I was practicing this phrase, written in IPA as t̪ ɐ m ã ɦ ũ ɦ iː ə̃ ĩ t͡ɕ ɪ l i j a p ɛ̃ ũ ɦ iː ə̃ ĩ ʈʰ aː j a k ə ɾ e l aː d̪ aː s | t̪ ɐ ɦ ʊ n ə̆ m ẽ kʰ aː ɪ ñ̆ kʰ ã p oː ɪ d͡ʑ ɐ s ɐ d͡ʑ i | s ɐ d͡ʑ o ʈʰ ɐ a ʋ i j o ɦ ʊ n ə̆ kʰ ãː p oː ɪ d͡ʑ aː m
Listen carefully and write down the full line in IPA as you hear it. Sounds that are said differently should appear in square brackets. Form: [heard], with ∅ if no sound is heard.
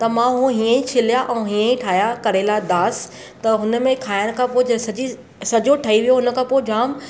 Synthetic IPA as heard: t̪ ɐ m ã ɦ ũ ɦ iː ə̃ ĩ [t͡ɕʰ] ɪ l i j a [ʔ] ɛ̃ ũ ɦ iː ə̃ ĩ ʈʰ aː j a k [ɐ] ɾ e l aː d̪ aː s | t̪ ɐ ɦ ʊ n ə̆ m ẽ kʰ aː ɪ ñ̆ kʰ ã p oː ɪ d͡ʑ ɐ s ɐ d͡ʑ i | s ɐ d͡ʑ o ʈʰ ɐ [i] ʋ i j o ɦ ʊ n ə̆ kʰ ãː p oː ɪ d͡ʑ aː m